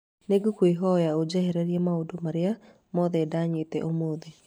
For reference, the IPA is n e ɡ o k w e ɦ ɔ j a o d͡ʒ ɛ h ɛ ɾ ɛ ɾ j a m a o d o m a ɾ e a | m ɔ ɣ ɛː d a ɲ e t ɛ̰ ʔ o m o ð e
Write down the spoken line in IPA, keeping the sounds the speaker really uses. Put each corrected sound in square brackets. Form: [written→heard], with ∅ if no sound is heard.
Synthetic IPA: n e ɡ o k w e ɦ ɔ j a o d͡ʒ ɛ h ɛ ɾ ɛ ɾ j [a→ɛ] m a o d o m a ɾ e a | m ɔ [ɣ→ð] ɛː d a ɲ e t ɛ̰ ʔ o m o ð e